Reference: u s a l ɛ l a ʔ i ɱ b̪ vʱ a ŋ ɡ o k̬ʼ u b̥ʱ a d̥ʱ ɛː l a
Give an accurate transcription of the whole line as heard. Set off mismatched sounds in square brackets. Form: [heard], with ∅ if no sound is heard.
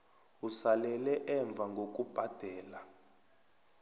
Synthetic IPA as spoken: u s a l ɛ l [ɛ] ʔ [ɛ] ɱ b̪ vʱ a ŋ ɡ o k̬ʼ u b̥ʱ a d̥ʱ ɛː l a